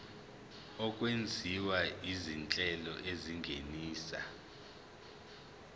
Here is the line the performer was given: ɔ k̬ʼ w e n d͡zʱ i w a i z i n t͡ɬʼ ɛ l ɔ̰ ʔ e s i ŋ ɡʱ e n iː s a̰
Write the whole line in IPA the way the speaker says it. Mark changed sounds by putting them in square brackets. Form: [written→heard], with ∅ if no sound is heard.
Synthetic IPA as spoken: ɔ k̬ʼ w e n d͡zʱ i w a i z i n t͡ɬʼ ɛ l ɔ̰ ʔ e [s→z] i ŋ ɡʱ e n iː s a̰